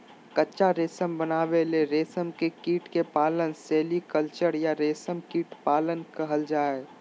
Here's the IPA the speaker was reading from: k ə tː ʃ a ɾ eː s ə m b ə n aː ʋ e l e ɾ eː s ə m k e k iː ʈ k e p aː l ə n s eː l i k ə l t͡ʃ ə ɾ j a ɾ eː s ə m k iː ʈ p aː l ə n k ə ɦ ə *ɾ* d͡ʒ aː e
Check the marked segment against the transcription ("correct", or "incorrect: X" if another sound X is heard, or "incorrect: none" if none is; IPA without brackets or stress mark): incorrect: l